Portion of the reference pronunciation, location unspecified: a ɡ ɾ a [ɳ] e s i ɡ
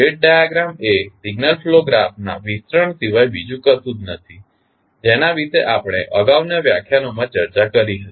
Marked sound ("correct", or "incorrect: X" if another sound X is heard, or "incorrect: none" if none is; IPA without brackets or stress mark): incorrect: m